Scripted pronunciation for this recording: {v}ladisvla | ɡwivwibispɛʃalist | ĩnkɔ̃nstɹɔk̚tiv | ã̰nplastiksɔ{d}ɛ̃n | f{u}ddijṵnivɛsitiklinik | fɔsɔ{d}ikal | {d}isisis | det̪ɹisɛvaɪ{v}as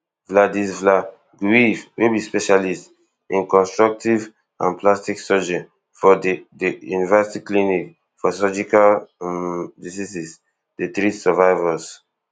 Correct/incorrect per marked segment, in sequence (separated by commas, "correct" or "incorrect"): correct, incorrect, incorrect, incorrect, correct, correct